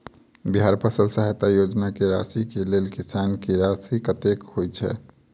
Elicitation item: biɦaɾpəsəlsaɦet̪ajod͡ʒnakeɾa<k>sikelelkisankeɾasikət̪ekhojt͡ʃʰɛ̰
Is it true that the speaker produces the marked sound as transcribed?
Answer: no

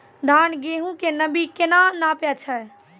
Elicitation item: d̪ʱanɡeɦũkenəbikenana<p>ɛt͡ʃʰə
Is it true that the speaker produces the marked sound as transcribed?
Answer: yes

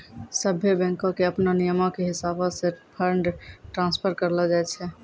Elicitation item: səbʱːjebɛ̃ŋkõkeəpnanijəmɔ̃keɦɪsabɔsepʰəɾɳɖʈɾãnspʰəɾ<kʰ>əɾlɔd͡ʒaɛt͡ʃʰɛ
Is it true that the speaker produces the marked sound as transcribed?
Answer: no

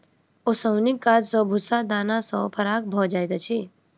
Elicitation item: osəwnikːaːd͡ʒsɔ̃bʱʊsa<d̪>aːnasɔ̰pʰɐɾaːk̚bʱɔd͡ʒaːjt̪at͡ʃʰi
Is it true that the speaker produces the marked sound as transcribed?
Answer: yes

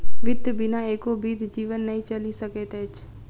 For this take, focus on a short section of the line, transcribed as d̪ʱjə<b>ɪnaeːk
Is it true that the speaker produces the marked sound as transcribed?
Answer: yes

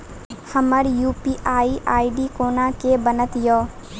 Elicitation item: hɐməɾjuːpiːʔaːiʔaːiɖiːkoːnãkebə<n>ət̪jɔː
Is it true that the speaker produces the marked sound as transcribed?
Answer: yes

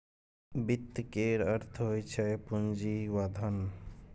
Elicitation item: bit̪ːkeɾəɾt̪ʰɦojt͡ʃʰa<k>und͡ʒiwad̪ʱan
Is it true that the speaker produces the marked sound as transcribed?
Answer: no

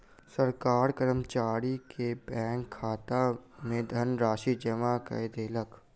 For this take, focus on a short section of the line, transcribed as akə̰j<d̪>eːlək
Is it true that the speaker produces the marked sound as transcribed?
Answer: yes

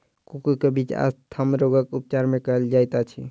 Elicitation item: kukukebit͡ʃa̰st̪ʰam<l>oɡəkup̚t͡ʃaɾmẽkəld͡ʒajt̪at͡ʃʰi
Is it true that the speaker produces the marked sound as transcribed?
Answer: no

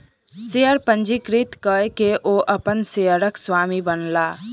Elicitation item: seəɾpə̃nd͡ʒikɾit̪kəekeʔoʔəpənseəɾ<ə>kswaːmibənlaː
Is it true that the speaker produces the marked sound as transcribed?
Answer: yes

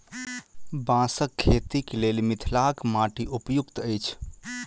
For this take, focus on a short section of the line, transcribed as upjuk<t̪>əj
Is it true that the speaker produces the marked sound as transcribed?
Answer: yes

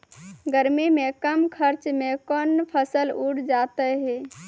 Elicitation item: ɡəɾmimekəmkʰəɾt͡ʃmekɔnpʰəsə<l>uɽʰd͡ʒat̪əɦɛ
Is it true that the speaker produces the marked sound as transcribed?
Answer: yes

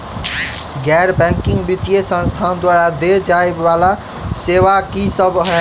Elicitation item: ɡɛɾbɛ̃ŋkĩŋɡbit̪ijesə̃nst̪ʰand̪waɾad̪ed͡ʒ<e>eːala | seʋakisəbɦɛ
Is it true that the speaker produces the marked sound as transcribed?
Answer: no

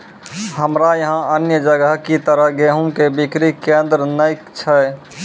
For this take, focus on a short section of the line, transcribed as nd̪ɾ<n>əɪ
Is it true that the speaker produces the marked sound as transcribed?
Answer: yes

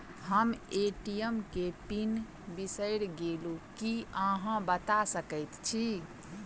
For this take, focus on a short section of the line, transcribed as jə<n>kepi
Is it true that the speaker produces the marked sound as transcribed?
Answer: no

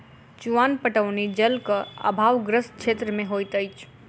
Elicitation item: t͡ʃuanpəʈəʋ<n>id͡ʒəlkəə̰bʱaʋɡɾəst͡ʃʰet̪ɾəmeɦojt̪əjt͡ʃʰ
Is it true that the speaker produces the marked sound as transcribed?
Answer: yes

